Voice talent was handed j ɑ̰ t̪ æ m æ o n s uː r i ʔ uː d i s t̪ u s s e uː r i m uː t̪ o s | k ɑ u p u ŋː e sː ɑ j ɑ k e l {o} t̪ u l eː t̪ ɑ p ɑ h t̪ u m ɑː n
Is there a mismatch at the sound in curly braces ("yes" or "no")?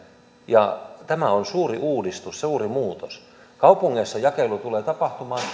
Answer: yes